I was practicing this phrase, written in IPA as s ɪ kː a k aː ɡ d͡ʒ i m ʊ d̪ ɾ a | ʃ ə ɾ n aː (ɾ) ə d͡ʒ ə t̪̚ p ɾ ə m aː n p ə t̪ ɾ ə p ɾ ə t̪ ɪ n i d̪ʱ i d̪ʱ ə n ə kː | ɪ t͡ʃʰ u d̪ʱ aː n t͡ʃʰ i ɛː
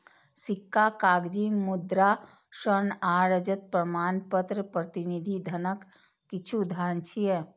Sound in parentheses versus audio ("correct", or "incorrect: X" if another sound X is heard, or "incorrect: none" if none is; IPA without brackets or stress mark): correct